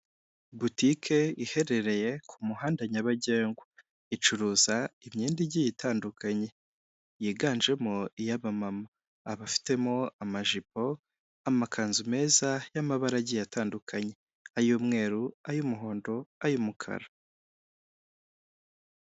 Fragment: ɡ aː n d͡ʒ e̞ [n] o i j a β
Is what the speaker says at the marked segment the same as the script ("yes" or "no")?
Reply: no